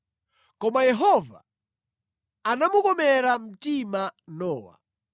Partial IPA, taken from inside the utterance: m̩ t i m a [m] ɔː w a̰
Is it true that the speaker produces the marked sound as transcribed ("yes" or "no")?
no